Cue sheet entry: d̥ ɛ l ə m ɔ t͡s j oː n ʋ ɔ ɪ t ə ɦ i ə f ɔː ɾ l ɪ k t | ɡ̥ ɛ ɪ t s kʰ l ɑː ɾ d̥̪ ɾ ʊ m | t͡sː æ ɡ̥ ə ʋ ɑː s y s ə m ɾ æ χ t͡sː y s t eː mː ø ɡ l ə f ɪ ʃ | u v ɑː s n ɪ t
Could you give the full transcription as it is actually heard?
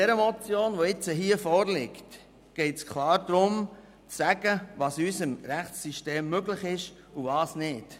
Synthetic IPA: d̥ ɛ ɾ ə m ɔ t͡s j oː n ʋ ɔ ɪ t͡s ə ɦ i ə f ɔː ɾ l ɪ k t | ɡ̥ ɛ ɪ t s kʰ l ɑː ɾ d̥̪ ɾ ʊ m | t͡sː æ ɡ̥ ə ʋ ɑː s y s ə m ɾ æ χ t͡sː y ʃ t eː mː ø ɡ l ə χ ɪ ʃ | u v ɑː s n ɪ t